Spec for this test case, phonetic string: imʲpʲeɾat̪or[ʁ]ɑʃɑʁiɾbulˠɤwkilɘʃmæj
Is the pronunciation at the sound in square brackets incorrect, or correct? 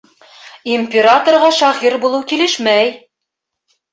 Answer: correct